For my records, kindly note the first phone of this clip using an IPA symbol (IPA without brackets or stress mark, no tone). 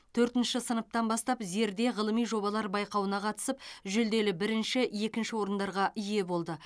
t̪ʰ